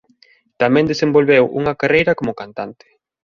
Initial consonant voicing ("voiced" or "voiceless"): voiceless